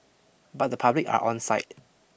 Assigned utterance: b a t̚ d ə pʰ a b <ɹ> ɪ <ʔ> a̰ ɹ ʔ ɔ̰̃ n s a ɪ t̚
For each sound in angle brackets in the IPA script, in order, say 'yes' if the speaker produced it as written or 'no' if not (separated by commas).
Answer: no, no